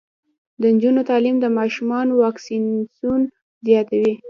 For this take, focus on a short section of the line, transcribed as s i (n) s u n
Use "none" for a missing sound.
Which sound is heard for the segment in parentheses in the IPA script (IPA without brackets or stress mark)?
n